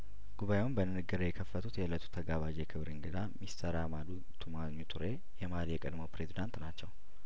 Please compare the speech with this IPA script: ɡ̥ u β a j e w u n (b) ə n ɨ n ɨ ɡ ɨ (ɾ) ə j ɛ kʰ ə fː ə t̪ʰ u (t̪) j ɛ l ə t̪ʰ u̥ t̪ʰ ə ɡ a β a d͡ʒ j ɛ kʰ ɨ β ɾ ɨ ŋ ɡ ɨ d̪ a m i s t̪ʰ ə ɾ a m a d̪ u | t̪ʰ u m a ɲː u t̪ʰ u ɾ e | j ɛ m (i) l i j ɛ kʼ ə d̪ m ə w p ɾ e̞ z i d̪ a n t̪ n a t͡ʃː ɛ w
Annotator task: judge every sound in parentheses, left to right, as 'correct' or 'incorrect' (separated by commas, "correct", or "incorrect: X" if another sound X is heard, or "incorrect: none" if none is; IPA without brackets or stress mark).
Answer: correct, correct, correct, incorrect: a